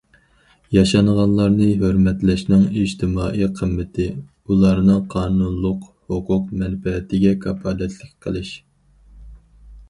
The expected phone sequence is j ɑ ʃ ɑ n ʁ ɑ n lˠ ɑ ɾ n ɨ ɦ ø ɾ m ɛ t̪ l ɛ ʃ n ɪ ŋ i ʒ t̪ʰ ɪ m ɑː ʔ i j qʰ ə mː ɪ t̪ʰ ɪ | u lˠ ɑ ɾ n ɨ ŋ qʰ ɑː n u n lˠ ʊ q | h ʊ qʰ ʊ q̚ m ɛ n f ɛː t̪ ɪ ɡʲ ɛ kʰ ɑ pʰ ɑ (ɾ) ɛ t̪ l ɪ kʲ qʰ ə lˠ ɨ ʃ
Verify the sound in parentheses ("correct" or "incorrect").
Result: incorrect